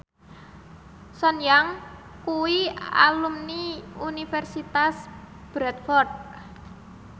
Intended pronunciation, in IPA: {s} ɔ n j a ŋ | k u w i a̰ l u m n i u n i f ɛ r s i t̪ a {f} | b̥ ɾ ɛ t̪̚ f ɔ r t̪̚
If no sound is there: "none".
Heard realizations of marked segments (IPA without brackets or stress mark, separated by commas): s, s